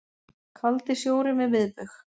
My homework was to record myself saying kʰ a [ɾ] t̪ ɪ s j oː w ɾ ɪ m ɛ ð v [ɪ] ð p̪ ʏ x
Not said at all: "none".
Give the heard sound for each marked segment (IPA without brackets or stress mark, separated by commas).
l, ɪ